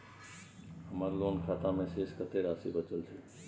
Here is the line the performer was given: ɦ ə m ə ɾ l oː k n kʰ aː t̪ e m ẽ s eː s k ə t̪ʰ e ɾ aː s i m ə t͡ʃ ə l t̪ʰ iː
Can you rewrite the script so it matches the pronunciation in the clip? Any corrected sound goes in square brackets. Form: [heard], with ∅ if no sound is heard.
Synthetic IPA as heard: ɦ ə m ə ɾ l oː [∅] n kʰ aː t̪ [a] m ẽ s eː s k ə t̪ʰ e ɾ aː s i [b] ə t͡ʃ ə l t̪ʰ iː